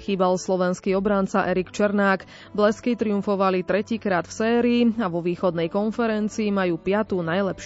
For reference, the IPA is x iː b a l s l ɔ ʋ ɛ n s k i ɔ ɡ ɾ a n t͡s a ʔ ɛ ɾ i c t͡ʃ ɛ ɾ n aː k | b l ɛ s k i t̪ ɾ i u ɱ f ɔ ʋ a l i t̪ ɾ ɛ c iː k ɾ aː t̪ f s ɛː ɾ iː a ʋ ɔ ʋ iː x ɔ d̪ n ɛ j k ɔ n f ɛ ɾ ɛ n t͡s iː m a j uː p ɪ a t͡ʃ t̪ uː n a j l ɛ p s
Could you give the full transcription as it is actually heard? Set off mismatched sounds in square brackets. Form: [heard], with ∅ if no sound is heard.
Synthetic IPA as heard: x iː b a l s l ɔ ʋ ɛ n s k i ɔ [b] ɾ a n t͡s a ʔ ɛ ɾ i [k] t͡ʃ ɛ ɾ n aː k | b l ɛ s k i t̪ ɾ i u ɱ f ɔ ʋ a l i t̪ ɾ ɛ c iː k ɾ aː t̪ f s ɛː ɾ iː a ʋ ɔ ʋ iː x ɔ d̪ n ɛ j k ɔ n f ɛ ɾ ɛ n t͡s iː m a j uː p ɪ a [∅] t̪ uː n a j l ɛ p [ʃ]